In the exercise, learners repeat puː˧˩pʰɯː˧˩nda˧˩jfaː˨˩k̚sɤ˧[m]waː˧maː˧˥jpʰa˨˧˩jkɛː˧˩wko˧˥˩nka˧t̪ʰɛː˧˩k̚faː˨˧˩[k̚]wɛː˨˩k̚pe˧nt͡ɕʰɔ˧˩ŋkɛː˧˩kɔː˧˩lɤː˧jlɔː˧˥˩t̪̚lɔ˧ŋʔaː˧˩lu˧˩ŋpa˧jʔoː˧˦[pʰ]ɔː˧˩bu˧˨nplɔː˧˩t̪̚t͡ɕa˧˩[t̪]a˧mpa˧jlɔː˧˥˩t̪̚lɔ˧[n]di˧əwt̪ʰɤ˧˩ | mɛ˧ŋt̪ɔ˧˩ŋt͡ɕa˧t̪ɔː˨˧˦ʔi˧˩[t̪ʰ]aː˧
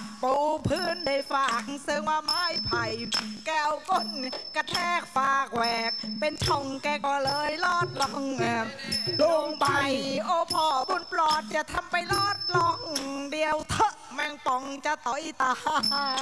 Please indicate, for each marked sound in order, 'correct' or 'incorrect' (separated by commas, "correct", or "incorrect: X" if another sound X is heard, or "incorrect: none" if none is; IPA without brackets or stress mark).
incorrect: ŋ, correct, correct, incorrect: t̪ʰ, incorrect: ŋ, incorrect: t̪